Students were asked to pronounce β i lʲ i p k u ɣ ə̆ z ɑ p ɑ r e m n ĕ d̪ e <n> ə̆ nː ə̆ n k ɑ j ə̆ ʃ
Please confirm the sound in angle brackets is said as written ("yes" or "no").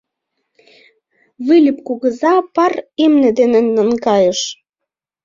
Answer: yes